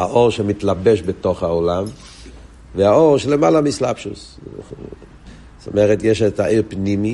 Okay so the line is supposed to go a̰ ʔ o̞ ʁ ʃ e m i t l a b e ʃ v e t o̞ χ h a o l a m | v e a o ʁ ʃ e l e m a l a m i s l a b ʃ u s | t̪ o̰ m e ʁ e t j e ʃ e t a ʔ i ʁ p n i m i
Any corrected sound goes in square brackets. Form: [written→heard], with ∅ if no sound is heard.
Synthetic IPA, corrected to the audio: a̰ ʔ o̞ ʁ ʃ e m i t l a b e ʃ [v→b] e t o̞ χ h a o l a m | v e a o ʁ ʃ e l e m a l a m i s l a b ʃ u s | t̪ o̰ m e ʁ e t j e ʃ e t a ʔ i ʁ p n i m i